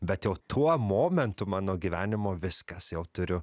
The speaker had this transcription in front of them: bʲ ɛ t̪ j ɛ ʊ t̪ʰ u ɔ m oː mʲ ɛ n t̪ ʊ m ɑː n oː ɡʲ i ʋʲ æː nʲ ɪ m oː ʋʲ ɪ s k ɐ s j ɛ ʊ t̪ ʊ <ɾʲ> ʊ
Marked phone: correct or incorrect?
correct